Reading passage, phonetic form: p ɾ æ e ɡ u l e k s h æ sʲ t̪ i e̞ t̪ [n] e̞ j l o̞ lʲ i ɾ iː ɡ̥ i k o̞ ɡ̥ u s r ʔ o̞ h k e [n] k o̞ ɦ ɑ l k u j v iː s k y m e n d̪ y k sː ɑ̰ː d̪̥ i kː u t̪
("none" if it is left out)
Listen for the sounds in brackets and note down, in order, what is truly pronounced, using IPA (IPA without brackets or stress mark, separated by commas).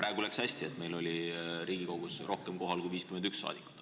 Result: m, m